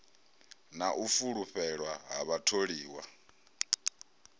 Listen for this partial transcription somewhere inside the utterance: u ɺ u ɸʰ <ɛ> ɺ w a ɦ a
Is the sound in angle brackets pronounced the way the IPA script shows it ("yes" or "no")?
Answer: yes